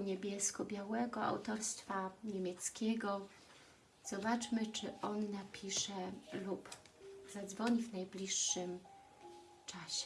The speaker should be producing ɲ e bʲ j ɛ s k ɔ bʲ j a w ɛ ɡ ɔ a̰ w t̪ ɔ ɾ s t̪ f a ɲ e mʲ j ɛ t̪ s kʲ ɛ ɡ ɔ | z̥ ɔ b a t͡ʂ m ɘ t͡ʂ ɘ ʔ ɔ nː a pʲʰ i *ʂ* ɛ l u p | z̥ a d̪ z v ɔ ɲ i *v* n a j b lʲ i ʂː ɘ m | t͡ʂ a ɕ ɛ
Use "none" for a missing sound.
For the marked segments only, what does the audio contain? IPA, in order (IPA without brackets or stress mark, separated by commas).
ʂ, v